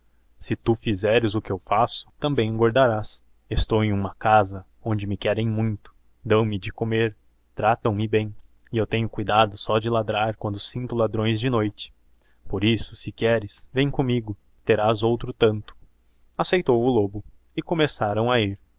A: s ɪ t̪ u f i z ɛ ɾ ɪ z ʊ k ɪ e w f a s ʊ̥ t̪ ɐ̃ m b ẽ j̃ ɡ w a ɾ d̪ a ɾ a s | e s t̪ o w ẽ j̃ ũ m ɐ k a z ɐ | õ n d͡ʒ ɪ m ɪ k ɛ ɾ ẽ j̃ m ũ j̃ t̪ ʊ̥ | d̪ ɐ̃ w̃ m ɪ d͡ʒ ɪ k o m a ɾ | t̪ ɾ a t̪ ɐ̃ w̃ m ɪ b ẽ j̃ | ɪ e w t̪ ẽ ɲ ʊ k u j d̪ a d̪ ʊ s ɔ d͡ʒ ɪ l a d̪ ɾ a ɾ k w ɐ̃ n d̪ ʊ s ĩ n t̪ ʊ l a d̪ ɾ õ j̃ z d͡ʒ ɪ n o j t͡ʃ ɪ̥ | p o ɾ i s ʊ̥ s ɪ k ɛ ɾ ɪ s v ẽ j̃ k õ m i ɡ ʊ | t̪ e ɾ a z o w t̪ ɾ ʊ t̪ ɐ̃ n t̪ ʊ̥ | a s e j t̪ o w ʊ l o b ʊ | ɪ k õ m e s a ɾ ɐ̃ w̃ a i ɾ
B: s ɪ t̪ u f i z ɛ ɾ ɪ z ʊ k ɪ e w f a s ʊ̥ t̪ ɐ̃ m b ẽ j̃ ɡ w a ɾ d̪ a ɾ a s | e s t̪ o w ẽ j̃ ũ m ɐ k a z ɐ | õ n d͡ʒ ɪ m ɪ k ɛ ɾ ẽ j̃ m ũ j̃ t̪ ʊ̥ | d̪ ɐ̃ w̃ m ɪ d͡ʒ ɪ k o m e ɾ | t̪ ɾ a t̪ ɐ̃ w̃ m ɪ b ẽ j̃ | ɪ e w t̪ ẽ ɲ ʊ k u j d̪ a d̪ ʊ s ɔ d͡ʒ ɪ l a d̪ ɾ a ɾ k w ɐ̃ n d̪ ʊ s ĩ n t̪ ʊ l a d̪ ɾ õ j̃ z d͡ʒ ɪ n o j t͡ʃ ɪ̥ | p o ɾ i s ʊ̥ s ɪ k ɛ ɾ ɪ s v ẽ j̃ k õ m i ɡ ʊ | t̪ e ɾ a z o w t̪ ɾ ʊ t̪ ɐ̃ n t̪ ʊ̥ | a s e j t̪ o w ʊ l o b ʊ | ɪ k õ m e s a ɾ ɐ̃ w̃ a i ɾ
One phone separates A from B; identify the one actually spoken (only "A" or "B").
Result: B